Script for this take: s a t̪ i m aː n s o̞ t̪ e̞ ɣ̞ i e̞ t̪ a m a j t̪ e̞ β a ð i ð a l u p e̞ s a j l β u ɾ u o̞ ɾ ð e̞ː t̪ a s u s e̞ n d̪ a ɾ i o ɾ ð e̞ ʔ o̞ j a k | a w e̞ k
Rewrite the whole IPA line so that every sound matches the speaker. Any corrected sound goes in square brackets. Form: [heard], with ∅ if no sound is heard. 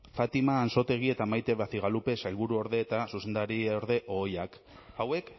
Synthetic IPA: [f] a t̪ i m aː n s o̞ t̪ e̞ ɣ̞ i e̞ t̪ a m a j t̪ e̞ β a [θ] i [ɣ] a l u p e̞ s a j l β u ɾ u o̞ ɾ ð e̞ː t̪ a s u s e̞ n d̪ a ɾ i o ɾ ð e̞ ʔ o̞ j a k | a w e̞ k

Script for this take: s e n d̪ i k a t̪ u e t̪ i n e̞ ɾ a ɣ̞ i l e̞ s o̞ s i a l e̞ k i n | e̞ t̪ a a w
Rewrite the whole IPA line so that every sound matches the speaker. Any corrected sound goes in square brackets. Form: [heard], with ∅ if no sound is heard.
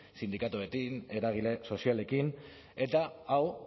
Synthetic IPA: s [i] n d̪ i k a t̪ u e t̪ i n e̞ ɾ a ɣ̞ i l e̞ s o̞ s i a l e̞ k i n | e̞ t̪ a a w

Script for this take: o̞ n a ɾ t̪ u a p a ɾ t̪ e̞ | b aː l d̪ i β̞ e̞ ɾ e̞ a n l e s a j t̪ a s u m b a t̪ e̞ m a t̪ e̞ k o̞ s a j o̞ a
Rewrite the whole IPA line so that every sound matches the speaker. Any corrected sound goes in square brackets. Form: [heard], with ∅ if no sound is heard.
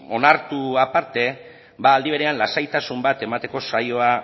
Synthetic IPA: o̞ n a ɾ t̪ u a p a ɾ t̪ e̞ | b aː l d̪ i β̞ e̞ ɾ e̞ a n l [a] s a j t̪ a s u m b a t̪ e̞ m a t̪ e̞ k o̞ s a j o̞ a

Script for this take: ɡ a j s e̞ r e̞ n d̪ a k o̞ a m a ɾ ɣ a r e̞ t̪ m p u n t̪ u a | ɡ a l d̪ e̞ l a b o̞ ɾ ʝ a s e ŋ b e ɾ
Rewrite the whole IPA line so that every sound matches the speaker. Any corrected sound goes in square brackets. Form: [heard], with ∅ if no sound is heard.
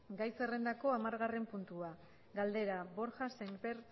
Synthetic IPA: ɡ a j s e̞ r e̞ n d̪ a k o̞ a m a ɾ ɣ a r e̞ [∅] m p u n t̪ u a | ɡ a l d̪ e̞ [ɾ] a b o̞ ɾ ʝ a s e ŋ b e ɾ

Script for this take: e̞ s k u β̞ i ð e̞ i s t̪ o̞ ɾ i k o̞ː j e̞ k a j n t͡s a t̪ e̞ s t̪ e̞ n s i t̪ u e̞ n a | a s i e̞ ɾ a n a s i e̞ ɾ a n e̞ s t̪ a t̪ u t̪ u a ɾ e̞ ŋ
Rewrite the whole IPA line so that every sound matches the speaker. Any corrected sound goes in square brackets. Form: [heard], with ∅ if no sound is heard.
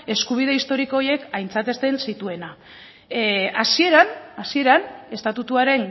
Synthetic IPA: e̞ s k u β̞ i ð e̞ i s t̪ o̞ ɾ i k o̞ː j e̞ k a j n t͡s a t̪ e̞ s t̪ e̞ n s i t̪ u e̞ n a | a s i e̞ ɾ a n a s i e̞ ɾ a n e̞ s t̪ a t̪ u t̪ u a ɾ e̞ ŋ

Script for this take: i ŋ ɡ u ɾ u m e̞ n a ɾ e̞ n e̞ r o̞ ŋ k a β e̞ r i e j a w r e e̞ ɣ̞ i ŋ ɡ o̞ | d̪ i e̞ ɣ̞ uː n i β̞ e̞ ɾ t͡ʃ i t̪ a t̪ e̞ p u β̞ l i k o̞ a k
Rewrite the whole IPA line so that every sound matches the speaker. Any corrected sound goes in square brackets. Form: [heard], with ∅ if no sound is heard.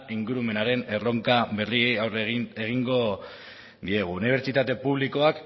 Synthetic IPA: i ŋ ɡ u ɾ u m e̞ n a ɾ e̞ n e̞ r o̞ ŋ k a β e̞ r i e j a w r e e̞ ɣ̞ i ŋ ɡ o̞ | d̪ i e̞ ɣ̞ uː n i β̞ e̞ ɾ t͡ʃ i t̪ a t̪ e̞ p u β̞ l i k o̞ a k

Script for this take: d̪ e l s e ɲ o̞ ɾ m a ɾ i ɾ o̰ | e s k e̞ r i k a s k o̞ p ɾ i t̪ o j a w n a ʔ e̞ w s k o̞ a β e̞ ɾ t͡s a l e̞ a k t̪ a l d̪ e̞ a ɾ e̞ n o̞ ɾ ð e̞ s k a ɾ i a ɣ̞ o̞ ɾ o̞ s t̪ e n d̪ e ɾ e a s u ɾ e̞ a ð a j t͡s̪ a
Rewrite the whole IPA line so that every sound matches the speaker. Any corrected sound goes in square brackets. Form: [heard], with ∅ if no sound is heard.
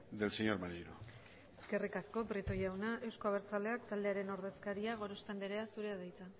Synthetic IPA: d̪ e l s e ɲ o̞ ɾ m a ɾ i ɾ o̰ | e s k e̞ r i k a s k o̞ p ɾ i t̪ o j a w n a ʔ e̞ w s k o̞ a β e̞ ɾ t͡s a l e̞ a k t̪ a l d̪ e̞ a ɾ e̞ n o̞ ɾ ð e̞ s k a ɾ i a ɣ̞ o̞ ɾ o̞ s t̪ e n d̪ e ɾ e a s u ɾ e̞ a ð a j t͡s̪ a

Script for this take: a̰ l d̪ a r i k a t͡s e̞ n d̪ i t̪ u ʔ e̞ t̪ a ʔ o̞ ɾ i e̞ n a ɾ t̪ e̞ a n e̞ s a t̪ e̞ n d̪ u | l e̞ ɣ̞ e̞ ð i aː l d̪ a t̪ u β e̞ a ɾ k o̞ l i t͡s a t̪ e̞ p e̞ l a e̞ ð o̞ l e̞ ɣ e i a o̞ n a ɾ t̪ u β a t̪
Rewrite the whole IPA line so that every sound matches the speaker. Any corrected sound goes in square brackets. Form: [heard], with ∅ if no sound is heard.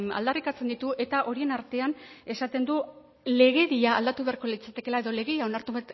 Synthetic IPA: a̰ l d̪ a r i k a t͡s e̞ n d̪ i t̪ u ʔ e̞ t̪ a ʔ o̞ ɾ i e̞ n a ɾ t̪ e̞ a n e̞ s a t̪ e̞ n d̪ u | l e̞ ɣ̞ e̞ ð i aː l d̪ a t̪ u β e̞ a ɾ k o̞ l i t͡s a t̪ e̞ [k] e̞ l a e̞ ð o̞ l e̞ ɣ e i a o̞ n a ɾ t̪ u β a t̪

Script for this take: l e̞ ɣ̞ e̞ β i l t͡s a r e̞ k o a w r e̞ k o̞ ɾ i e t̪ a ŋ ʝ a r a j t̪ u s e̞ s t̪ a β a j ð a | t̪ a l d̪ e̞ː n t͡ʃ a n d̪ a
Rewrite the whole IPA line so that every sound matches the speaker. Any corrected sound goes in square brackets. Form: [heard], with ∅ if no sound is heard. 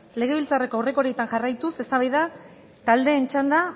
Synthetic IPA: l e̞ ɣ̞ e̞ β i l t͡s a r e̞ k o a w r e̞ k o̞ ɾ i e t̪ a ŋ ʝ a r a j t̪ u s e̞ s t̪ a β a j ð a | t̪ a l d̪ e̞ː n t͡ʃ a n d̪ a

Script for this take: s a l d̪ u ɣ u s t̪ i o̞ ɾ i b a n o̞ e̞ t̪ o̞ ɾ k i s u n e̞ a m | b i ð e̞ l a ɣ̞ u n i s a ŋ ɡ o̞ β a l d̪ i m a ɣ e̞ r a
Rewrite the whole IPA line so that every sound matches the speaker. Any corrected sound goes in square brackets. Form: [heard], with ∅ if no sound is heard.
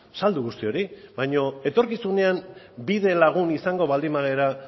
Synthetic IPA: s a l d̪ u ɣ u s t̪ i o̞ ɾ i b a [ɲ] o̞ e̞ t̪ o̞ ɾ k i s u n e̞ a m | b i ð e̞ l a ɣ̞ u n i s a ŋ ɡ o̞ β a l d̪ i m a ɣ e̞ [ɾ] a

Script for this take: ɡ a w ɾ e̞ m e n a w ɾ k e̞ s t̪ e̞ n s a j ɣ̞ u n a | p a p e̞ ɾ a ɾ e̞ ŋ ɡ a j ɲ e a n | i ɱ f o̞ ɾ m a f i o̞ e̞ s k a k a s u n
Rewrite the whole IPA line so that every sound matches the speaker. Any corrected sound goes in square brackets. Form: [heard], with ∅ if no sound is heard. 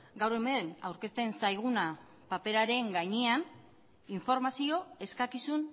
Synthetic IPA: ɡ a w ɾ e̞ m e n a w ɾ k e̞ s t̪ e̞ n s a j ɣ̞ u n a | p a p e̞ ɾ a ɾ e̞ ŋ ɡ a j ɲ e a n | i ɱ f o̞ ɾ m a [s] i o̞ e̞ s k a k [i] s u n

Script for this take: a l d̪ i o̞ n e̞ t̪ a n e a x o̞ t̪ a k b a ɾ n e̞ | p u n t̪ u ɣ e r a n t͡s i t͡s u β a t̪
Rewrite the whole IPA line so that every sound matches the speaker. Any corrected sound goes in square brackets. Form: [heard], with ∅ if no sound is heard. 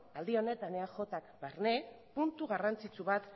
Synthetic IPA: a l d̪ i o̞ n e̞ t̪ a n e a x o̞ t̪ a k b a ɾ n e̞ | p u n t̪ u ɣ [a] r a n t͡s i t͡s u β a t̪

